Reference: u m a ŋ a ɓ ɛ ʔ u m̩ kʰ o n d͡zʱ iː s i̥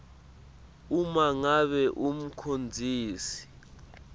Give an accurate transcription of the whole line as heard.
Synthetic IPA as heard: u m a ŋ a ɓ ɛ ʔ u m̩ kʰ o n d͡zʱ iː s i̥